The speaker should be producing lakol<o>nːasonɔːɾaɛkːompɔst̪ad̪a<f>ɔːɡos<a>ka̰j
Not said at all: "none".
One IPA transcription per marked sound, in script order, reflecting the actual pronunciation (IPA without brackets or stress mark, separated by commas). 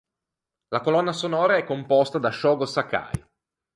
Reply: ɔ, ʃ, a